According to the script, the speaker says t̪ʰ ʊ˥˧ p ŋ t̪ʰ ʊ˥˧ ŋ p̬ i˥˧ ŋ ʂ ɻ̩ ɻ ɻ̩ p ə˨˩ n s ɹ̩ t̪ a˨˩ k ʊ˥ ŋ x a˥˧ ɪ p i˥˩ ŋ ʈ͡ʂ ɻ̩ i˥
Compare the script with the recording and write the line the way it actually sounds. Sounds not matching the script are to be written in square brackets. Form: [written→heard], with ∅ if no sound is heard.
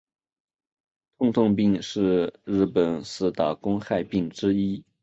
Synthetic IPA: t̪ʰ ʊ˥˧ [p→∅] ŋ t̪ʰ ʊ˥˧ ŋ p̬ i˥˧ ŋ ʂ ɻ̩ ɻ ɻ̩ p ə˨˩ n s ɹ̩ t̪ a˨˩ k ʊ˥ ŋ x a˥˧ ɪ p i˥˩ ŋ ʈ͡ʂ ɻ̩ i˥